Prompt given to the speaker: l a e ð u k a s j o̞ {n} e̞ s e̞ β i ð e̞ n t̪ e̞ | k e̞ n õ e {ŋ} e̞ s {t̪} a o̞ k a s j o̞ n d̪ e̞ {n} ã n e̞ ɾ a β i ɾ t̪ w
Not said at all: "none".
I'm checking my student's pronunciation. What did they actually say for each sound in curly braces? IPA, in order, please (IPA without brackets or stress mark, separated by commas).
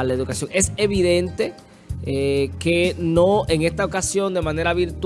ŋ, ŋ, t̪, m